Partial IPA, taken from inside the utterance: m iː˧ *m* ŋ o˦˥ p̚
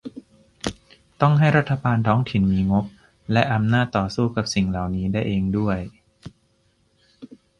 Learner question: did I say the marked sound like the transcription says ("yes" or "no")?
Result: no